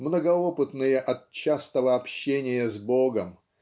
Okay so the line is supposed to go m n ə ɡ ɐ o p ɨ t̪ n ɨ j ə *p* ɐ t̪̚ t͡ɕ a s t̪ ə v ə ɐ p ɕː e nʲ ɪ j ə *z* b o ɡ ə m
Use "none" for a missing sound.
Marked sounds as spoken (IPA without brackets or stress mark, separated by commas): ʔ, z